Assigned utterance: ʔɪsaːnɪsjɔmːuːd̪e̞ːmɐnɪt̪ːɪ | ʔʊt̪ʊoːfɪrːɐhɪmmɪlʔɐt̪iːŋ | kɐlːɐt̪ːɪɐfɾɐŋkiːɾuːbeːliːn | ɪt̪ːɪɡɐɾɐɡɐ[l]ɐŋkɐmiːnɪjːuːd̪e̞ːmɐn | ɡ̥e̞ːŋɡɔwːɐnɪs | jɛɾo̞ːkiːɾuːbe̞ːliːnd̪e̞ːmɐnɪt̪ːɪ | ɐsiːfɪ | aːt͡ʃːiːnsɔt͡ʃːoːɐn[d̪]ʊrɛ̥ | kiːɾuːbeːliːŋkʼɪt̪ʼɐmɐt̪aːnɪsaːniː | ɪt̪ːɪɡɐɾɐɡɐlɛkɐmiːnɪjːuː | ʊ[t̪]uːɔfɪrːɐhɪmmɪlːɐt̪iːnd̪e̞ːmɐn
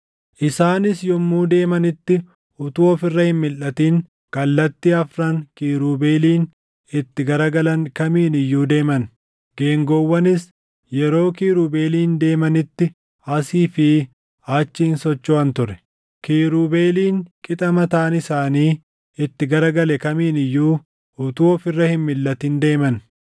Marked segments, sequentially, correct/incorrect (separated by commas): correct, incorrect, correct